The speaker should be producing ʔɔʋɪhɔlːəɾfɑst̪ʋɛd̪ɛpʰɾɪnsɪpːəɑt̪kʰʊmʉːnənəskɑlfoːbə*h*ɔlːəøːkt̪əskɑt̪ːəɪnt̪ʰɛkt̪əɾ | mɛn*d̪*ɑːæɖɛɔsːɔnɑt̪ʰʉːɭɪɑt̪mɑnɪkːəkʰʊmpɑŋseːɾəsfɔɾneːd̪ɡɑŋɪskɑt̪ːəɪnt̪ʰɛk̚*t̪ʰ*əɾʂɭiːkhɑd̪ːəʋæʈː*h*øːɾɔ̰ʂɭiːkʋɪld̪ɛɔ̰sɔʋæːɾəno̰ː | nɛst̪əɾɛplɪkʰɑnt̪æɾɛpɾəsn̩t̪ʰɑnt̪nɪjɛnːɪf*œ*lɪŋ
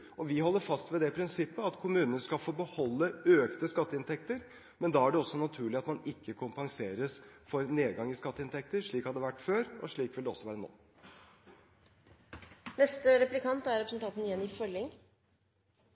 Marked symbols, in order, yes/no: yes, yes, no, no, yes

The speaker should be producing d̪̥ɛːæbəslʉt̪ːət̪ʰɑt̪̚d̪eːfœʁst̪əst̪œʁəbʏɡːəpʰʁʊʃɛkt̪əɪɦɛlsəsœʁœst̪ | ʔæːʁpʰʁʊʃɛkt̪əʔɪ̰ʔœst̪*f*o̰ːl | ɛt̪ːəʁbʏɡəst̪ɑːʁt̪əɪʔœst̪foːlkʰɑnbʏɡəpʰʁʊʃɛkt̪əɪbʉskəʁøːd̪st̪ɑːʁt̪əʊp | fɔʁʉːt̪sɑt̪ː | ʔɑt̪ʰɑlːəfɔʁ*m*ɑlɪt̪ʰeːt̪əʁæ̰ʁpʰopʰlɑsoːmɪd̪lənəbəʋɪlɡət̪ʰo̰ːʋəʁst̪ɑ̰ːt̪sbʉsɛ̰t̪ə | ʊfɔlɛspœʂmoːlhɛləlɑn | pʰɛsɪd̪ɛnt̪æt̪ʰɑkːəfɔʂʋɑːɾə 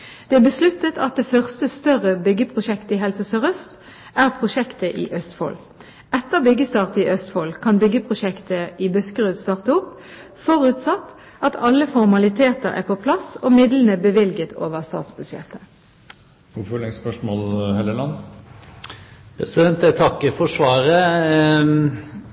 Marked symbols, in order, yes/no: yes, yes

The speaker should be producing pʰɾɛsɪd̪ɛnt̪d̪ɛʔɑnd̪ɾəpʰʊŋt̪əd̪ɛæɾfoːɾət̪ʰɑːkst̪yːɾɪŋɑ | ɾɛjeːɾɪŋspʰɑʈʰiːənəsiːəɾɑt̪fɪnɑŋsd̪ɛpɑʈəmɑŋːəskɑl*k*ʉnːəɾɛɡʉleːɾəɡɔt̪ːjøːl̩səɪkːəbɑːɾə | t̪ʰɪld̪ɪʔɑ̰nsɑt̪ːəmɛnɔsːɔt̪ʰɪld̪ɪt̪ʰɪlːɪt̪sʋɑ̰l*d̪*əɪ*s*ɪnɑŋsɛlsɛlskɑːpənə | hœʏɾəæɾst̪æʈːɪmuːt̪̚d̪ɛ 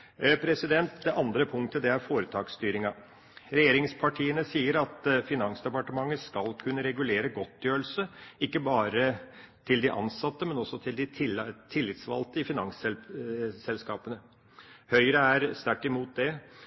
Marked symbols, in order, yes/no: no, no, no

